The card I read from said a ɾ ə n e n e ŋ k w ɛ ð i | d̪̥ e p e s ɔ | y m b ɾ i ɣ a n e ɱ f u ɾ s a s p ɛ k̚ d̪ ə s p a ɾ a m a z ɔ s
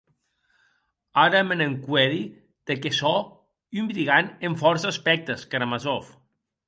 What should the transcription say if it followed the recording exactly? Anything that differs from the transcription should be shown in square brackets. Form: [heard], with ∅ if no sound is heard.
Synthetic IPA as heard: a ɾ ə [m] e n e ŋ k w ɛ ð i | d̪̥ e [k] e s ɔ | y m b ɾ i ɣ a n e ɱ f [ɔ] ɾ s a s p ɛ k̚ [t̪] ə s [k] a ɾ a m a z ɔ [f]